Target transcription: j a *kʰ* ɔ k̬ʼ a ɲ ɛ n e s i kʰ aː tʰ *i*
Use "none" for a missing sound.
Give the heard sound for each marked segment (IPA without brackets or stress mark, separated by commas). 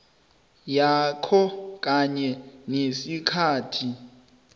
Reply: kʰ, i